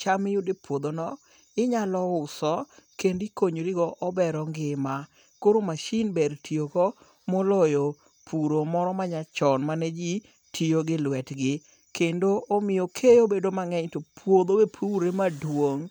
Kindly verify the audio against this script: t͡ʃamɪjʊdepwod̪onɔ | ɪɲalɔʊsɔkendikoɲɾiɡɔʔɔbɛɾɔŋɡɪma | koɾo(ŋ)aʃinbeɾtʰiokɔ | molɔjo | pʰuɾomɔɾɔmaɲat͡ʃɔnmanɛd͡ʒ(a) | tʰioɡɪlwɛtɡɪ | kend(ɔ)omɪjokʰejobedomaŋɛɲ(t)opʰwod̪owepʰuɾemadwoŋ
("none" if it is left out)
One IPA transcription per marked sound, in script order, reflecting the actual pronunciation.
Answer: m, i, o, t

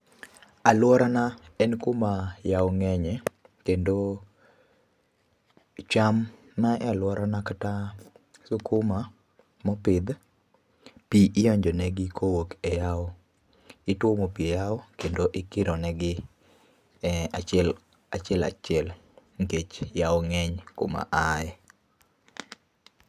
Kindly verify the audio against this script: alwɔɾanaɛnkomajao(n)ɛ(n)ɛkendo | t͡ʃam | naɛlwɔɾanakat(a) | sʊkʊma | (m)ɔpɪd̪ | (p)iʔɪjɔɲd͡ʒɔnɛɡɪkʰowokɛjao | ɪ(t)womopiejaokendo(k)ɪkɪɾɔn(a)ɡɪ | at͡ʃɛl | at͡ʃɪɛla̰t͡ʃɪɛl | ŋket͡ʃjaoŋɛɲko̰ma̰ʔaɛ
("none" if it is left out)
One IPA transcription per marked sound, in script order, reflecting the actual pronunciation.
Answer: ŋ, ɲ, a, m, p, t, ʔ, ɛ

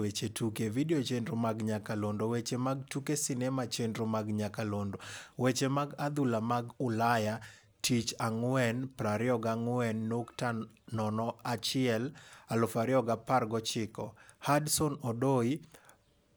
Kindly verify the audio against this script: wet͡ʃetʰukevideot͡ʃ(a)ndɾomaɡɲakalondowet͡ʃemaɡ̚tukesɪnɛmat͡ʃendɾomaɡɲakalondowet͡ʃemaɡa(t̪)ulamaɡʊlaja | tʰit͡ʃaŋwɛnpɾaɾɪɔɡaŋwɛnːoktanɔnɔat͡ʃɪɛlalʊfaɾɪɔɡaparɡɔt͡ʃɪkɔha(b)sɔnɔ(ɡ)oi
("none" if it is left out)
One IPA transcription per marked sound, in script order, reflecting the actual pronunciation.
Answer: e, d̪, d, d

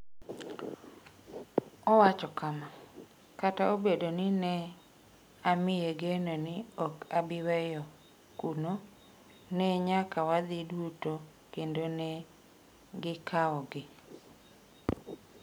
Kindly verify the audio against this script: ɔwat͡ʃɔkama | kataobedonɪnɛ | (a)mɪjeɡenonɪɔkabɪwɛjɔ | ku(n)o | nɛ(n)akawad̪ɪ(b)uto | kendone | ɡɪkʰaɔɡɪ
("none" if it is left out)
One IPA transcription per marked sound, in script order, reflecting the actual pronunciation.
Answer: a, n, ɲ, d

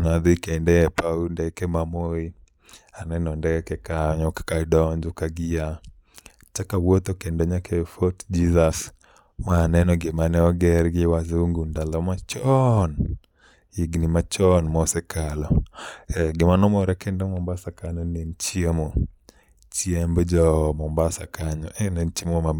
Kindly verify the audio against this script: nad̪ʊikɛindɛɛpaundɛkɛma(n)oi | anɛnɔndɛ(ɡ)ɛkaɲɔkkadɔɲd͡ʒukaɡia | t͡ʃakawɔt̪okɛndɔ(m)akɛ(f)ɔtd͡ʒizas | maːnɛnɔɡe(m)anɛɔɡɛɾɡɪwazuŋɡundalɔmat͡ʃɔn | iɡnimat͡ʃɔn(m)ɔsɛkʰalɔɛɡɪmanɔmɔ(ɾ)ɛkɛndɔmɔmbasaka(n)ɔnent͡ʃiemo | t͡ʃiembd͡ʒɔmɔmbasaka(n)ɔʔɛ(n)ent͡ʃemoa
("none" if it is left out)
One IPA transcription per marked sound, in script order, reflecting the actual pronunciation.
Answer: m, k, ɲ, f, m, m, ɾ, ɲ, ɲ, n

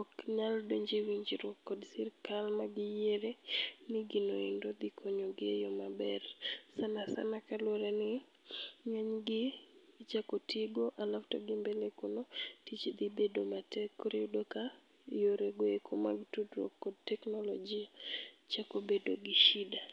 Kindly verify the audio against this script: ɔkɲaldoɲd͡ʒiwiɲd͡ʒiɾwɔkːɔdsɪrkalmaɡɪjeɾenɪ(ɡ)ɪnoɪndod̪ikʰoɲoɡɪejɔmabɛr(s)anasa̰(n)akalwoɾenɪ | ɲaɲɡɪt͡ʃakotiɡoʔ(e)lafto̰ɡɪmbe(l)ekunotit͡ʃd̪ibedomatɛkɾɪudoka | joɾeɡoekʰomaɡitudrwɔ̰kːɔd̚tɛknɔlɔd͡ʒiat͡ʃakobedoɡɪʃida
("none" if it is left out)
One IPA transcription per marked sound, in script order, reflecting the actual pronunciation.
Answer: ɡ, s, n, a, l

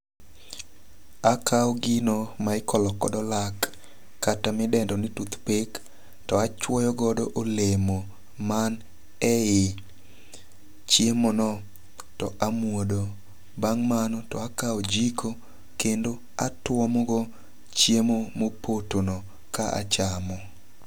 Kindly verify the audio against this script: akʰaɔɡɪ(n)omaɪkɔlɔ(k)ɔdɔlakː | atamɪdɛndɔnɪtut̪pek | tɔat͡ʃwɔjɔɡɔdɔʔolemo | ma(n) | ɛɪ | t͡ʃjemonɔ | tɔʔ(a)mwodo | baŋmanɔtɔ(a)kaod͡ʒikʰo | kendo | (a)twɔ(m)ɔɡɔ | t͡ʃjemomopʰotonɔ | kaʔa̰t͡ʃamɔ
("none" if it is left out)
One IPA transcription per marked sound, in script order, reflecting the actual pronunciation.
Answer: n, k, n, a, a, a, m

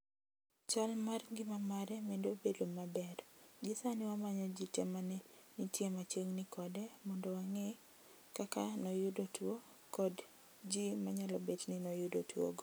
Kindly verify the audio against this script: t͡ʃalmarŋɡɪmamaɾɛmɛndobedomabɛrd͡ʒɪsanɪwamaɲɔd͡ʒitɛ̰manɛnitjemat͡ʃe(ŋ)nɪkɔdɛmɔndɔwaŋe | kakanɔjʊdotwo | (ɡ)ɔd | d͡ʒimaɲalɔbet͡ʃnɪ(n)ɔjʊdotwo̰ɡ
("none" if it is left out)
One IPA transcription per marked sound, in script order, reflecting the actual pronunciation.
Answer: ŋ, k, n

